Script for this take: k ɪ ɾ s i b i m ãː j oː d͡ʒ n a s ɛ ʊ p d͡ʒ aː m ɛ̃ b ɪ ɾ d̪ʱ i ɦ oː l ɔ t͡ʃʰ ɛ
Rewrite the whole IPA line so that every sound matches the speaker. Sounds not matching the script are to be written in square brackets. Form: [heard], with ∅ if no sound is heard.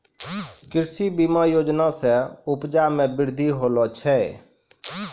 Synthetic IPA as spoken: k ɪ ɾ s i b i m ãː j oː d͡ʒ n a s ɛ ʊ p d͡ʒ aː m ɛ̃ b ɪ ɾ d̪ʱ i ɦ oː l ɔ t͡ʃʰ ɛ